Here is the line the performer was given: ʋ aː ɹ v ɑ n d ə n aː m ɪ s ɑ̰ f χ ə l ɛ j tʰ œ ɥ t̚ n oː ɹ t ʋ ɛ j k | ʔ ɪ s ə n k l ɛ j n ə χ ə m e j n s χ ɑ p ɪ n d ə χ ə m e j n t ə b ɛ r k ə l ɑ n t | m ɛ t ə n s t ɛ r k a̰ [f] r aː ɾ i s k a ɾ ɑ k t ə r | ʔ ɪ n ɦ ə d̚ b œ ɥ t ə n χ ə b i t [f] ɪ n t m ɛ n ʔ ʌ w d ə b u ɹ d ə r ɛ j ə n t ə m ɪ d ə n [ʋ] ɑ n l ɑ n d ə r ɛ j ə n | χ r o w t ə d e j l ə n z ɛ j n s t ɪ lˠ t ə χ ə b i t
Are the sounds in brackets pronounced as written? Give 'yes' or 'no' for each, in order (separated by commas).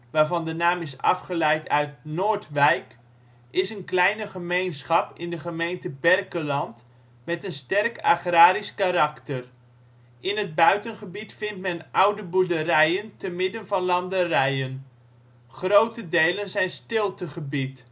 no, yes, no